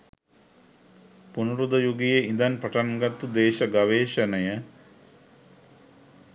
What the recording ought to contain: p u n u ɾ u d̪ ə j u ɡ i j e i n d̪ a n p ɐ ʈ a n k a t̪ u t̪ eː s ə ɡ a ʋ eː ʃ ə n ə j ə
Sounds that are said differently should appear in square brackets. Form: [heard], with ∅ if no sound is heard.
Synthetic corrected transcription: p u n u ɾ u d̪ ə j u ɡ i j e i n d̪ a n p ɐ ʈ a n [ɡ] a t̪ u [d̪] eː [ʃ] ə ɡ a ʋ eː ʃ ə n ə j ə